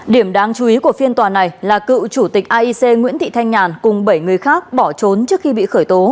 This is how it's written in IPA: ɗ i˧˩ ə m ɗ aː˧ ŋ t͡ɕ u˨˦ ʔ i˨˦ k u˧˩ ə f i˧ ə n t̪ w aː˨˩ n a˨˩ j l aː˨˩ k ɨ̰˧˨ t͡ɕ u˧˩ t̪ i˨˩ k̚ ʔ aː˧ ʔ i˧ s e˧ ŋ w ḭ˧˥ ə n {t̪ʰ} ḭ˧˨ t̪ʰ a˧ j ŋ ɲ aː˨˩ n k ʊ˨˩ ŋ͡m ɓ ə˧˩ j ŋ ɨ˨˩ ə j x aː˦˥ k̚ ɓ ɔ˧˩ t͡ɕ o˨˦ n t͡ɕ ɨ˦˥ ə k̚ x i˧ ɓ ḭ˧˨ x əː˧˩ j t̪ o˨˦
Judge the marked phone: incorrect: t̪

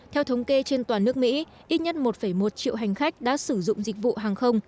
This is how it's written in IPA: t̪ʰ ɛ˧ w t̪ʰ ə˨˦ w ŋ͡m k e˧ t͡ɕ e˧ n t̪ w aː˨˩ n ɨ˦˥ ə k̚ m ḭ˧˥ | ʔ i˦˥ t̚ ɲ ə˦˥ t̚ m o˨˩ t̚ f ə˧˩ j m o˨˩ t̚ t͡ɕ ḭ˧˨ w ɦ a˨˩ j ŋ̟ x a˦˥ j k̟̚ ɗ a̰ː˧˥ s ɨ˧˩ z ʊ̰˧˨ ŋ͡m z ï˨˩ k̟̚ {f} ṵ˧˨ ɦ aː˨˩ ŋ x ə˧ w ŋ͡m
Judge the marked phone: incorrect: v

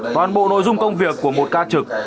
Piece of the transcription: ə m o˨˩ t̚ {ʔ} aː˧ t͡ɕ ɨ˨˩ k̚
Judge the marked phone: incorrect: k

